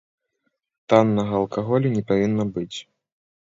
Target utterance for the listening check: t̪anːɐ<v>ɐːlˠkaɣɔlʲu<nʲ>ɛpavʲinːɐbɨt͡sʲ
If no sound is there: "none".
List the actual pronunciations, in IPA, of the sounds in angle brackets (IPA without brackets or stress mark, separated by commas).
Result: ɣ, nʲ